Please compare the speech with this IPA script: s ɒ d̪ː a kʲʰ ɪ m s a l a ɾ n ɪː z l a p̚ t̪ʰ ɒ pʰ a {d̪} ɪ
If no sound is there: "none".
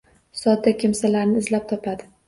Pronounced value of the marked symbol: d̪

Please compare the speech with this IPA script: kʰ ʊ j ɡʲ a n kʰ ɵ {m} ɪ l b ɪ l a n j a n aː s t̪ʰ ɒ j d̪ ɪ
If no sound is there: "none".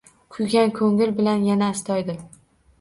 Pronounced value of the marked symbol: ŋ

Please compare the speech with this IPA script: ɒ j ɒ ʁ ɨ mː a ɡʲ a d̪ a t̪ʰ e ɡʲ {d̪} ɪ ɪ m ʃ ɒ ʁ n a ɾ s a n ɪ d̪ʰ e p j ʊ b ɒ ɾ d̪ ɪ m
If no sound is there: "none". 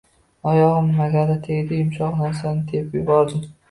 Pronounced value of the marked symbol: d̪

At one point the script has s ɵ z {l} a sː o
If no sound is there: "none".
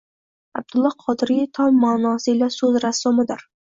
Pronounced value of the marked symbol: ɾ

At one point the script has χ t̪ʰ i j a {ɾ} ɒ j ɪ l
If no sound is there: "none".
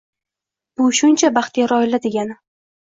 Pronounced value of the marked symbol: ɾ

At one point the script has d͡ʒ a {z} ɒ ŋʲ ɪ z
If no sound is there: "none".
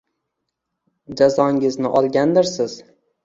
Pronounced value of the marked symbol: z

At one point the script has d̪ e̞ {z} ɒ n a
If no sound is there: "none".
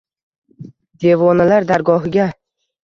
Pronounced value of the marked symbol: v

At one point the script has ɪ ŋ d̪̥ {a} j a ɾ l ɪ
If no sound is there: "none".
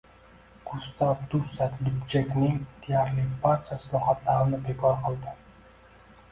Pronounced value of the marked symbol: e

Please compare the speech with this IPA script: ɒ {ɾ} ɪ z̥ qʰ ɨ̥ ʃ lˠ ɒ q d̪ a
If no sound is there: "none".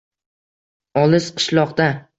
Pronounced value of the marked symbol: l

